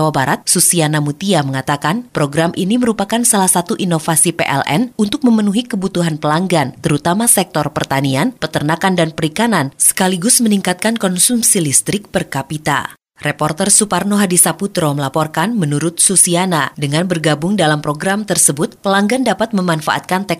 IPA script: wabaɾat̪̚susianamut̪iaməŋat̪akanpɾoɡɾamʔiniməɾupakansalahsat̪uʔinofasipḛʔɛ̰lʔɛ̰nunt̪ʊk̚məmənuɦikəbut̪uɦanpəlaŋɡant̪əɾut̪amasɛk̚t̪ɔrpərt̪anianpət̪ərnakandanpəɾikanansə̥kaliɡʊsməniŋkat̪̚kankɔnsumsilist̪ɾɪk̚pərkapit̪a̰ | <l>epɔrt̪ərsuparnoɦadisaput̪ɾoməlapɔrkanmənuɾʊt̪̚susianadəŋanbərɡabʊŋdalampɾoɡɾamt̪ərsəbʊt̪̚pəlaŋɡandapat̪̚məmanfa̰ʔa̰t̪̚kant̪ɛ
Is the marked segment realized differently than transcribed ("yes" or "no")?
yes